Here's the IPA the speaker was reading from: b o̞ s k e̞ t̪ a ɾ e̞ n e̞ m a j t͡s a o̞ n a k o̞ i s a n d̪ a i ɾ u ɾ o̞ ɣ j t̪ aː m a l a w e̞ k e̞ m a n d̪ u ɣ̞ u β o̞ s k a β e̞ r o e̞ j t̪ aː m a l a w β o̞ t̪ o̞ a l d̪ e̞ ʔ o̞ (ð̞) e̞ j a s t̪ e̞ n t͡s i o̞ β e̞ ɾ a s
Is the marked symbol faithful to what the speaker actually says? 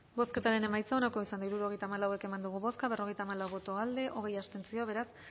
no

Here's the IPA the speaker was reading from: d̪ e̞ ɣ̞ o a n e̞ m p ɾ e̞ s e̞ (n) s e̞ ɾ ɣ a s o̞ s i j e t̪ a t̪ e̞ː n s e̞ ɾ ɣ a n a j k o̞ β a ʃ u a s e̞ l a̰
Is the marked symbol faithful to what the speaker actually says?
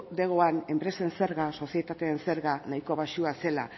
yes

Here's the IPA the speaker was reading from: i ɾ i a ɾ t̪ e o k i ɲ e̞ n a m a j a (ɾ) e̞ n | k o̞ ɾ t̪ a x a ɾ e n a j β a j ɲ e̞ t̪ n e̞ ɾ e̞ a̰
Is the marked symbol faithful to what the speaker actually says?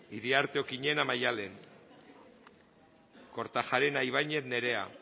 no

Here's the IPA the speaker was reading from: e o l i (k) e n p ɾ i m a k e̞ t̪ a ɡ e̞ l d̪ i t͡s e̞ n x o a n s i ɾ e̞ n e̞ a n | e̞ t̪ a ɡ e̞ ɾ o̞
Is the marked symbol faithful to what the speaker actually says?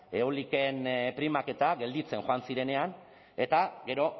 yes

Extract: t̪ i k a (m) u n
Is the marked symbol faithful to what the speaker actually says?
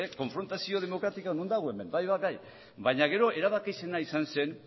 no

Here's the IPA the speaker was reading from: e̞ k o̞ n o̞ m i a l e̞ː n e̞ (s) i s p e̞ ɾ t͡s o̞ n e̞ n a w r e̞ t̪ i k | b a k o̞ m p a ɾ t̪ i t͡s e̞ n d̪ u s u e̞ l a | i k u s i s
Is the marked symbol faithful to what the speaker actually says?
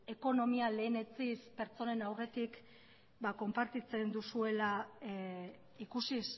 no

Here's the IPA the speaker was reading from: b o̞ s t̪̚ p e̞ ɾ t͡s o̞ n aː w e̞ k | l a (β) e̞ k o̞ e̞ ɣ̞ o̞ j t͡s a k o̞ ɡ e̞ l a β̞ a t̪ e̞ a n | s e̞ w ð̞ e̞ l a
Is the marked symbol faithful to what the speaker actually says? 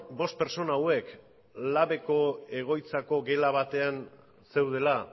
yes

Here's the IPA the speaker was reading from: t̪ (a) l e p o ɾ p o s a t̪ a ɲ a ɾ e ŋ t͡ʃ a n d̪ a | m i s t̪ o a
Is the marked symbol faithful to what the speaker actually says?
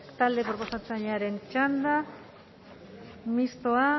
yes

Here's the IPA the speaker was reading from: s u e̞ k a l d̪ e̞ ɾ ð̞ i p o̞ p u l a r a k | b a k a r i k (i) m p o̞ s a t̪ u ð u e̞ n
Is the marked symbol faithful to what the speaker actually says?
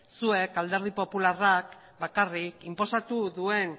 yes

